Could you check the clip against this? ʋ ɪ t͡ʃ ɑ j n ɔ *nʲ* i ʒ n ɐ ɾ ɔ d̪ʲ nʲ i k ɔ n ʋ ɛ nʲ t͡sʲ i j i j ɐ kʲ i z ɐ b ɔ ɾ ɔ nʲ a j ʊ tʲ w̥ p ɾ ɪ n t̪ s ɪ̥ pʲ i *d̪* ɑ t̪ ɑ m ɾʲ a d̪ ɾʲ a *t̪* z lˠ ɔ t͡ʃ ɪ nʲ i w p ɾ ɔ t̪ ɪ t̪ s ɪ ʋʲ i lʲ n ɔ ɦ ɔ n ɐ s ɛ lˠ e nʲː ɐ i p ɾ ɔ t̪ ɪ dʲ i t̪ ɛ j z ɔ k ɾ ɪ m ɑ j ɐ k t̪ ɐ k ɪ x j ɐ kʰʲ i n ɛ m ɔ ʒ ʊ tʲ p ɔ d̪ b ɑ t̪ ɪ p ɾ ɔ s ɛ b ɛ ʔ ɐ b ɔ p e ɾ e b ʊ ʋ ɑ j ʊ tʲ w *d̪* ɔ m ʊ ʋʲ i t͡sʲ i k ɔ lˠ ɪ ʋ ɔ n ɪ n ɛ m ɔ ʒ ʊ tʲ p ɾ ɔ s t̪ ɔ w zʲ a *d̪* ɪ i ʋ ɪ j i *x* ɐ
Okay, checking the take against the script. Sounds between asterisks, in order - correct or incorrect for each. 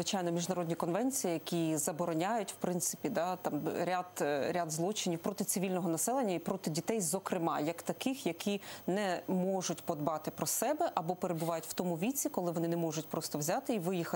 incorrect, correct, incorrect, incorrect, incorrect, correct

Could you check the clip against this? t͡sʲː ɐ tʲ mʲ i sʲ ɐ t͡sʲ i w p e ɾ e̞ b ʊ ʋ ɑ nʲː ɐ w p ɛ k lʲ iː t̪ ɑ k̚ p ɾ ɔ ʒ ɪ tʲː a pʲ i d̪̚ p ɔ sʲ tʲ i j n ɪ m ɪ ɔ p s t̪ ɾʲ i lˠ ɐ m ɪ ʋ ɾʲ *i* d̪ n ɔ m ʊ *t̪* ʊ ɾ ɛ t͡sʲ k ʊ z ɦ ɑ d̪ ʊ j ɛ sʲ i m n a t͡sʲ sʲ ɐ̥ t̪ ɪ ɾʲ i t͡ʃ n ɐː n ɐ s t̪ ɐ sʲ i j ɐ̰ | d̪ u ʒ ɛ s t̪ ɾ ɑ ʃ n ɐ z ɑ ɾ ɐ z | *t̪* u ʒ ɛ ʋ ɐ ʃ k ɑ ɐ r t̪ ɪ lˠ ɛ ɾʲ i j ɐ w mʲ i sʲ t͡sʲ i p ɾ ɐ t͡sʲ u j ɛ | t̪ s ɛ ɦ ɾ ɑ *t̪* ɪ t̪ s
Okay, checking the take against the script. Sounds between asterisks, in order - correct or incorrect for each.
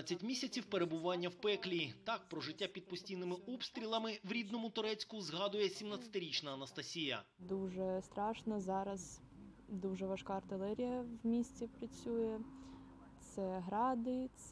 correct, correct, incorrect, incorrect

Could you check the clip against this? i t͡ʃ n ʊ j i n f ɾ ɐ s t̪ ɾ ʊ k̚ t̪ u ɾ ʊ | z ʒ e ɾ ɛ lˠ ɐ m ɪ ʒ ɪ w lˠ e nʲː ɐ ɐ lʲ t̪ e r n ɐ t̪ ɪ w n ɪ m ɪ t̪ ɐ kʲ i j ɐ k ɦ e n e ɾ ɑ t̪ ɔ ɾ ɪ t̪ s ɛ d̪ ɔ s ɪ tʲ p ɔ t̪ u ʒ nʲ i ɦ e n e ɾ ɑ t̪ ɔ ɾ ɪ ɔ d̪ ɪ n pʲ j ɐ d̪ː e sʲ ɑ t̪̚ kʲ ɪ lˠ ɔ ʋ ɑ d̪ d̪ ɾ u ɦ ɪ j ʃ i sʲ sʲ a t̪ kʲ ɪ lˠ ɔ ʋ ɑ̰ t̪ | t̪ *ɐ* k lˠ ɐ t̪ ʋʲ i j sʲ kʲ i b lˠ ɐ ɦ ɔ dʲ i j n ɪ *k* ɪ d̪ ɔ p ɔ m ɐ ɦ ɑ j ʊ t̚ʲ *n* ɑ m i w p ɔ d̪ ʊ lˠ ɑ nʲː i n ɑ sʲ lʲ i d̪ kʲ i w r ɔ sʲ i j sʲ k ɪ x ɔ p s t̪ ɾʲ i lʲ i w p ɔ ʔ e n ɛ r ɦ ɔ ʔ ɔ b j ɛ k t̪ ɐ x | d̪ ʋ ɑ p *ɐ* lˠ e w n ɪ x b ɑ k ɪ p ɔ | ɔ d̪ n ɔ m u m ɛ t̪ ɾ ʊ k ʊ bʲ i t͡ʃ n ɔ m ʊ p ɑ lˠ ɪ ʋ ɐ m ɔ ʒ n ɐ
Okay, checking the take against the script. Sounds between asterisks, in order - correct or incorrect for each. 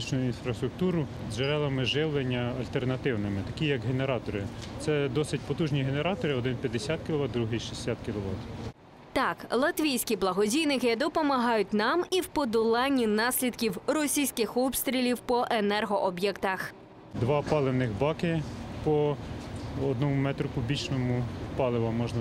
incorrect, correct, correct, incorrect

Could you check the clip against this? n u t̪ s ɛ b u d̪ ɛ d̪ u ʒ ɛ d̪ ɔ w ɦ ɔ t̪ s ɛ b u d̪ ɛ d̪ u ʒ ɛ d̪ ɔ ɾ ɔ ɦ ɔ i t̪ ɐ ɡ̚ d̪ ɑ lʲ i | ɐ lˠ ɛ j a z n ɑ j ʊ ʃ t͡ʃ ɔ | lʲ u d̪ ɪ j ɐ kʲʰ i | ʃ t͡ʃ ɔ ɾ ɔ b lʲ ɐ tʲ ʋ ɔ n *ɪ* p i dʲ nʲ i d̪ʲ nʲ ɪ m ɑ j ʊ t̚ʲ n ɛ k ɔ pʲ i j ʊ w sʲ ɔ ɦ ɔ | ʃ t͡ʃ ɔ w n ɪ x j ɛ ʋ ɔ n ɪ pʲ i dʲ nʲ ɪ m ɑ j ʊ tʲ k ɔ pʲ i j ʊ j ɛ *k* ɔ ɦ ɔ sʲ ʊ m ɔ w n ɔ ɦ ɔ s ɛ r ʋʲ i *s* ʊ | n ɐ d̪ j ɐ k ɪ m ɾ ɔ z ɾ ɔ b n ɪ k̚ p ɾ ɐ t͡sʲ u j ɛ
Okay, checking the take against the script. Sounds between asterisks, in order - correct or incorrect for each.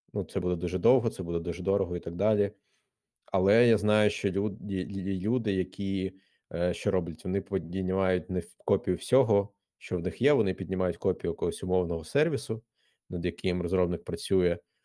correct, correct, correct

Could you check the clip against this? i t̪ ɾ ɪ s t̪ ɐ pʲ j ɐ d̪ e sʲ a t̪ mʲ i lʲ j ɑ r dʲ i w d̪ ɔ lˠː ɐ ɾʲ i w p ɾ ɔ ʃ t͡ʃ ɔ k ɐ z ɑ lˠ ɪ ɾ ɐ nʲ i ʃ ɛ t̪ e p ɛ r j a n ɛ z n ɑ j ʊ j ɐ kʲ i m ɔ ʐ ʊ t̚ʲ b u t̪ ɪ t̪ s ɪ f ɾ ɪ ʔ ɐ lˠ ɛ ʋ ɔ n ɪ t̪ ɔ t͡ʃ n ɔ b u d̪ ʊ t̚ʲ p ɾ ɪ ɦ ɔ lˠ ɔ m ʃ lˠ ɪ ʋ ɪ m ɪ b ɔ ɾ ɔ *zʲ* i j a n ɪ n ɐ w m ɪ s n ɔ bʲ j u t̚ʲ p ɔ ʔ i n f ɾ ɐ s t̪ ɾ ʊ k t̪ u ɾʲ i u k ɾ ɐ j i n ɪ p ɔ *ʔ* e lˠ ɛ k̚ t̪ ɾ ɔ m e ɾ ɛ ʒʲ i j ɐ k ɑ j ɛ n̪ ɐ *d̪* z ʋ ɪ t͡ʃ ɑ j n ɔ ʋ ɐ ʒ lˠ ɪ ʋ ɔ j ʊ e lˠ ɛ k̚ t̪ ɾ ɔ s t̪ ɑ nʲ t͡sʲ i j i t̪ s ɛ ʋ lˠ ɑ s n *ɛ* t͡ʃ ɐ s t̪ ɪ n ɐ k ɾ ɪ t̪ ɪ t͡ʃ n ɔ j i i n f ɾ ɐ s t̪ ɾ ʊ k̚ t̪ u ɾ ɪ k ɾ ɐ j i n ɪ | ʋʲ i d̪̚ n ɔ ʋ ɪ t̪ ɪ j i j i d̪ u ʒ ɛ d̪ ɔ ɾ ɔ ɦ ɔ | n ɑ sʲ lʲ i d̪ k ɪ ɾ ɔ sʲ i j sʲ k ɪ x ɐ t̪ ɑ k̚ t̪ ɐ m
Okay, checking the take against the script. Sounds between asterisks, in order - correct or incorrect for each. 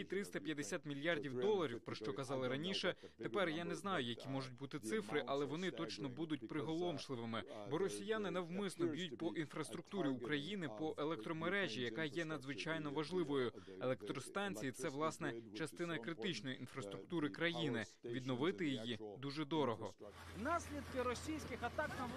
incorrect, correct, correct, correct

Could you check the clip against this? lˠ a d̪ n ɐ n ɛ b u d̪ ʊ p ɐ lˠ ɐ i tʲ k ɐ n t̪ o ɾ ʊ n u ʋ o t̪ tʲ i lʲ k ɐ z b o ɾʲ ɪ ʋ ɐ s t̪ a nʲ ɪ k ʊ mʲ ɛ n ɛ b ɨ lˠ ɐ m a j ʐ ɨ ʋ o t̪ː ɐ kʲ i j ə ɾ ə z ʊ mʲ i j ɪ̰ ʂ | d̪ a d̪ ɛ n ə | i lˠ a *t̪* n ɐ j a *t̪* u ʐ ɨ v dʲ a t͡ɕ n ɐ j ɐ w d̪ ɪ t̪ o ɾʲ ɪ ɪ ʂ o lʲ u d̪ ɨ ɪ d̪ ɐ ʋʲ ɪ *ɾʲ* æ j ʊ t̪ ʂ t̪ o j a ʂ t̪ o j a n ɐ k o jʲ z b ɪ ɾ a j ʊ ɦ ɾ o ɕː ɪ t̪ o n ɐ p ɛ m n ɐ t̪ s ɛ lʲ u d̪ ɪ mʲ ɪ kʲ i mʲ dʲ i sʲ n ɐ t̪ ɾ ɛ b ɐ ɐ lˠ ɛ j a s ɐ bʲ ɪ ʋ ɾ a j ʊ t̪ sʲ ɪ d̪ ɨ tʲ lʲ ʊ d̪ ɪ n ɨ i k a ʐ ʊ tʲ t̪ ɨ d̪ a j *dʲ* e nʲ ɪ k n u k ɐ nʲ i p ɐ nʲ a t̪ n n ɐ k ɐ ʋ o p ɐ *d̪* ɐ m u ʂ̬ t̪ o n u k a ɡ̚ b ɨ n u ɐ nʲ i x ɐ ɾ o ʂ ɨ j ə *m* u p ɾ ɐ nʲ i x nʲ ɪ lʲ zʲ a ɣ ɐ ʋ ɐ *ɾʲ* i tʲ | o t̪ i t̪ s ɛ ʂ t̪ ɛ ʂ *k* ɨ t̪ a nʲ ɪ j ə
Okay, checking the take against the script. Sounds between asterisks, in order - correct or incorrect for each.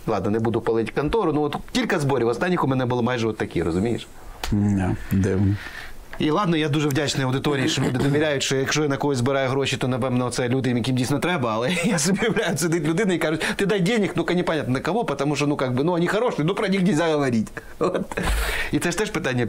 incorrect, incorrect, correct, correct, incorrect, incorrect, correct, incorrect

